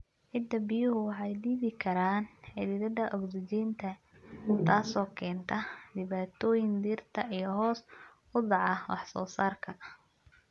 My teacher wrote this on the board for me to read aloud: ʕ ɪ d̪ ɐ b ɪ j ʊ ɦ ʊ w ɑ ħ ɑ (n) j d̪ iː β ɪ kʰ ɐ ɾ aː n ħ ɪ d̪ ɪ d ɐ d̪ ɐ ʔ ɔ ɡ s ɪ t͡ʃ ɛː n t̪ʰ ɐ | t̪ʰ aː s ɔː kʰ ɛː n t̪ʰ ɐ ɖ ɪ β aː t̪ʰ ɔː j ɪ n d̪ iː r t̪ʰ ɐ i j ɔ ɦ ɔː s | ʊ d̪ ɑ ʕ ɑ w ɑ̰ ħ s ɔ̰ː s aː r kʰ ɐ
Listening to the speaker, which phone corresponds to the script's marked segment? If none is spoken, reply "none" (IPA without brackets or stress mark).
none